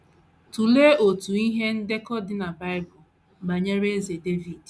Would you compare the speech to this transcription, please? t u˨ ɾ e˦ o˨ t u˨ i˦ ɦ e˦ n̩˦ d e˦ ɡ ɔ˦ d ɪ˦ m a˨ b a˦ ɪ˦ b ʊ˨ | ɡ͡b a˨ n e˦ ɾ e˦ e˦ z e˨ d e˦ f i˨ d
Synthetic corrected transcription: t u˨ l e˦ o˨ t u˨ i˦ ɦ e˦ n̩˦ d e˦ k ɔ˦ d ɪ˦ n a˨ b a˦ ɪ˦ b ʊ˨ | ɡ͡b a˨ ɲ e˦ ɾ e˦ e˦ z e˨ d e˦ v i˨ d